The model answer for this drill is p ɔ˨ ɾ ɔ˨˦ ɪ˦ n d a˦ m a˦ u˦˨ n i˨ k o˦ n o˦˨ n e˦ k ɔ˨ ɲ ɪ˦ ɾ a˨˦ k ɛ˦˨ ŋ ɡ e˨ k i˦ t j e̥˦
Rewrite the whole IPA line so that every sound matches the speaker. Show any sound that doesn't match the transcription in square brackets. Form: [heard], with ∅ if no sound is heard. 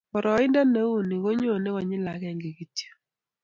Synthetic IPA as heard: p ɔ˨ ɾ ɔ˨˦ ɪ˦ n d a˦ [n] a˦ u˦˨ n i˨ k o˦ [ɲ] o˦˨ n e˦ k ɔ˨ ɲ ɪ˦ [l] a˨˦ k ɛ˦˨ ŋ ɡ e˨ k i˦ t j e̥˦